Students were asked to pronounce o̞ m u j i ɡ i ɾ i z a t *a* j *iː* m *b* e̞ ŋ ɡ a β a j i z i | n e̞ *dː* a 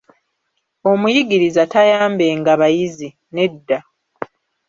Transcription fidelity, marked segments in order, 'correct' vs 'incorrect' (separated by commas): correct, incorrect, correct, correct